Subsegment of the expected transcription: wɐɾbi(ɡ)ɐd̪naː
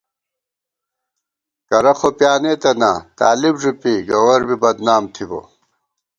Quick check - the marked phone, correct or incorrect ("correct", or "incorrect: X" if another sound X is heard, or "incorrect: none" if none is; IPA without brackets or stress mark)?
incorrect: b